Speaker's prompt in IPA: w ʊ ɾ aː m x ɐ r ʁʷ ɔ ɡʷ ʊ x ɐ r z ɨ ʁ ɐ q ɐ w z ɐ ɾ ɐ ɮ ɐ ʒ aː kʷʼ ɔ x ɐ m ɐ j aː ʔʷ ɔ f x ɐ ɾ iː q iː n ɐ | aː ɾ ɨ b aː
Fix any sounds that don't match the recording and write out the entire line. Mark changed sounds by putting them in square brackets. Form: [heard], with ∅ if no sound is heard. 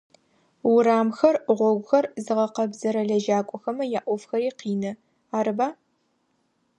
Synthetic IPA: w ʊ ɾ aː m x ɐ r ʁʷ ɔ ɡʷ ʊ x ɐ r z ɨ ʁ ɐ q ɐ [b] z ɐ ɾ ɐ ɮ ɐ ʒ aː kʷʼ ɔ x ɐ m ɐ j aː ʔʷ ɔ f x ɐ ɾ iː q iː n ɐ | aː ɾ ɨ b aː

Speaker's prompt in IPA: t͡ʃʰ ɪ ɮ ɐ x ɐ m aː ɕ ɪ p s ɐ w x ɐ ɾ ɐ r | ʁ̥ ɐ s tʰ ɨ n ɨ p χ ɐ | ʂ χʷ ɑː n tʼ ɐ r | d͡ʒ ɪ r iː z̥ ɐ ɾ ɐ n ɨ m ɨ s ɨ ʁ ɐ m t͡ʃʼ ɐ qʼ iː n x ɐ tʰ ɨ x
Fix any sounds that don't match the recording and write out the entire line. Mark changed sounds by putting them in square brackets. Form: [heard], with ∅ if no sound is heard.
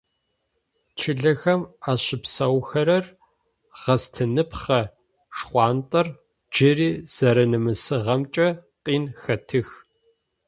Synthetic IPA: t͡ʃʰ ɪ ɮ ɐ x ɐ m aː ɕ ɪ p s ɐ w x ɐ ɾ ɐ r | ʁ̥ ɐ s tʰ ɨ n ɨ p χ ɐ | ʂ χʷ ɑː n tʼ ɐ r | d͡ʒ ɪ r iː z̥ ɐ ɾ ɐ n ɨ m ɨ s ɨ ʁ ɐ m t͡ʃʼ ɐ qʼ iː n x ɐ tʰ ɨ x

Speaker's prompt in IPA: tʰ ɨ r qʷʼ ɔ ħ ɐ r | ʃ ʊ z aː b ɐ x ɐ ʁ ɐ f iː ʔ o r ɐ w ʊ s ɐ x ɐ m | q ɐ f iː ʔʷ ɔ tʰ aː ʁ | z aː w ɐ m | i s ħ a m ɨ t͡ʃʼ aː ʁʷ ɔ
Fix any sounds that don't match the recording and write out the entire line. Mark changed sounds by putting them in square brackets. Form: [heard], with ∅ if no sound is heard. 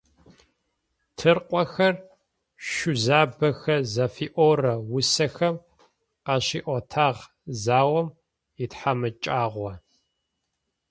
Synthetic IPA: tʰ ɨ r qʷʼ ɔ [x] ɐ r | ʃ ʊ z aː b ɐ x ɐ [z] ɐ f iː ʔ o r ɐ w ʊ s ɐ x ɐ m | q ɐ [ɕ] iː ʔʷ ɔ tʰ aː ʁ | z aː w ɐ m | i [t] ħ a m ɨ t͡ʃʼ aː ʁʷ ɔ

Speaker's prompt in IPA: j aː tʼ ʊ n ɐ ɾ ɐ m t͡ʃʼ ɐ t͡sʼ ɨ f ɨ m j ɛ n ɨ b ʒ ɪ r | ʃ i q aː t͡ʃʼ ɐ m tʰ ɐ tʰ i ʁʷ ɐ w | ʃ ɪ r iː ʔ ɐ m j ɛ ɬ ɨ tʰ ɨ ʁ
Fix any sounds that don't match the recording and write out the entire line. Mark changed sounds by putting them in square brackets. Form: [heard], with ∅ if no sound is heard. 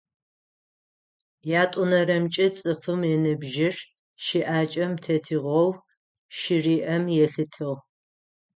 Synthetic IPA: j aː tʼ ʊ n ɐ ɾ ɐ m t͡ʃʼ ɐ t͡sʼ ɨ f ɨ m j ɛ n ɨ b ʒ ɪ r | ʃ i [ʔ] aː t͡ʃʼ ɐ m tʰ ɐ tʰ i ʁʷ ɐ w | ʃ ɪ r iː ʔ ɐ m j ɛ ɬ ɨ tʰ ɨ ʁ

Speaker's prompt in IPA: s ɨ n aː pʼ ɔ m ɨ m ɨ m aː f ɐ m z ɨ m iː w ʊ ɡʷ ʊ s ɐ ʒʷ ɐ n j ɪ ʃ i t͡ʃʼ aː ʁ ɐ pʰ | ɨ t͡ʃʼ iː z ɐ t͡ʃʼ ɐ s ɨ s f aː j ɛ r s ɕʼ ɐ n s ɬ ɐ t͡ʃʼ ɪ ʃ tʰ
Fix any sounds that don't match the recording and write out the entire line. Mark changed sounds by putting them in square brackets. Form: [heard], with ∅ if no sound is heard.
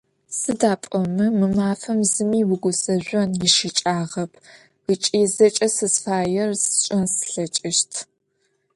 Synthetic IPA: s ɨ [d] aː pʼ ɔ m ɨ m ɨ m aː f ɐ m z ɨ m iː w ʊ ɡʷ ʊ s ɐ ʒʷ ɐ n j ɪ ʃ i t͡ʃʼ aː ʁ ɐ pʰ | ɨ t͡ʃʼ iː z ɐ t͡ʃʼ ɐ s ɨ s f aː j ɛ r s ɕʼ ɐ n s ɬ ɐ t͡ʃʼ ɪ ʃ tʰ

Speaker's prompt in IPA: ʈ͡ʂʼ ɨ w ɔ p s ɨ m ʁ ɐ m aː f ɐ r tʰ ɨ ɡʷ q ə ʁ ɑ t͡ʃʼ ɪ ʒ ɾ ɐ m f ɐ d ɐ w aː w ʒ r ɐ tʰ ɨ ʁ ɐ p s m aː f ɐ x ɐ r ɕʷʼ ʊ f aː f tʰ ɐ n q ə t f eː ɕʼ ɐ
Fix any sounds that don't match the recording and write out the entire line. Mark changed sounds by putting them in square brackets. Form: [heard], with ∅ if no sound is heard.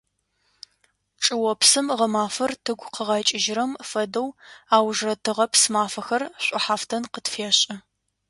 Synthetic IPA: ʈ͡ʂʼ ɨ w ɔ p s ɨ m ʁ ɐ m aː f ɐ r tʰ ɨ ɡʷ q ə ʁ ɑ t͡ʃʼ ɪ ʒ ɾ ɐ m f ɐ d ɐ w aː w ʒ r ɐ tʰ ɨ ʁ ɐ p s m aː f ɐ x ɐ r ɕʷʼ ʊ [ħ] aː f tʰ ɐ n q ə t f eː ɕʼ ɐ

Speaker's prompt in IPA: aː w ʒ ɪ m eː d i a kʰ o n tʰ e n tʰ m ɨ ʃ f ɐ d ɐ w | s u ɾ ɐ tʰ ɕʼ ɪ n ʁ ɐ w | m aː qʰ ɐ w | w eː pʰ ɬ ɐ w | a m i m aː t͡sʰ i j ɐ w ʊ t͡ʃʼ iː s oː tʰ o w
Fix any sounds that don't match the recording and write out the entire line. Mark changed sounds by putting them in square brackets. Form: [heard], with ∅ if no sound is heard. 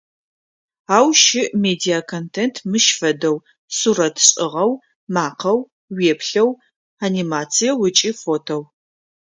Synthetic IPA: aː w [ʃ] ɪ m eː d i a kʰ o n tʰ e n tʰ m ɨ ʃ f ɐ d ɐ w | s u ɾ ɐ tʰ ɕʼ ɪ [∅] ʁ ɐ w | m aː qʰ ɐ w | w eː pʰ ɬ ɐ w | a [n] i m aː t͡sʰ i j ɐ w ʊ t͡ʃʼ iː [f] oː tʰ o w

